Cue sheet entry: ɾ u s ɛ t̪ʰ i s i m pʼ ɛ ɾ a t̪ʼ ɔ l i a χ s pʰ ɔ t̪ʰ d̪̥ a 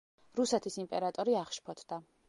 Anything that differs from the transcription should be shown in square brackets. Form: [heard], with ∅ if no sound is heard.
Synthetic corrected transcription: ɾ u s ɛ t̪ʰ i s i m pʼ ɛ ɾ a t̪ʼ ɔ [ɾ] i a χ [ʃ] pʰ ɔ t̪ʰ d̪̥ a